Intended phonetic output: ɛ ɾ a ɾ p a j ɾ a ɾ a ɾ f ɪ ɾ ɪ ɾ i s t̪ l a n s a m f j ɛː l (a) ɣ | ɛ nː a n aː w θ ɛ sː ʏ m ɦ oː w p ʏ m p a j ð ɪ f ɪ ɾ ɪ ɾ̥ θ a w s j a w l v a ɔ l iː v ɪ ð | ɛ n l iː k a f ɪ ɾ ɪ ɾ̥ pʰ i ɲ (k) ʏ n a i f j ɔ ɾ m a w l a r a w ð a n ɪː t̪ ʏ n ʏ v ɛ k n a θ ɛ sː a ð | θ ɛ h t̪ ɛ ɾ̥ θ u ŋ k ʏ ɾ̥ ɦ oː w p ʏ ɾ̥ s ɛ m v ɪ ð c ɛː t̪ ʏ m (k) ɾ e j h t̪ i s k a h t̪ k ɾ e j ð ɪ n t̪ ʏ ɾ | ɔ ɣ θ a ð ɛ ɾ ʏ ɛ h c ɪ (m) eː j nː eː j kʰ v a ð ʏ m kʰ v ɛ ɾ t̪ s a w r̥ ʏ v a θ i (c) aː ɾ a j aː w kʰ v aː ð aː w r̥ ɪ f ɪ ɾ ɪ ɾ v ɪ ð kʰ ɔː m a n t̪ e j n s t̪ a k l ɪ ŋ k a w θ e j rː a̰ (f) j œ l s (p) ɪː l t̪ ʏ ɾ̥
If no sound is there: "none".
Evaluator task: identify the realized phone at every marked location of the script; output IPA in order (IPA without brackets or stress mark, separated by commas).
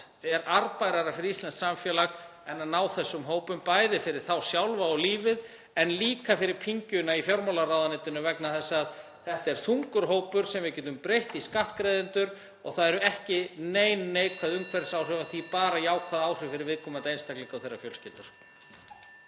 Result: a, c, p, n, p, f, c